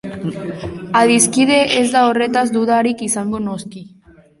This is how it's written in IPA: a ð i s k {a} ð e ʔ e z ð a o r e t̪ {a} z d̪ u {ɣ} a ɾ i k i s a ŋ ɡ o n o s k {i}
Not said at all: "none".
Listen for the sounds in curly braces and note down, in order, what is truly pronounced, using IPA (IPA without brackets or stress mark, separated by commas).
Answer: i, a, ð, i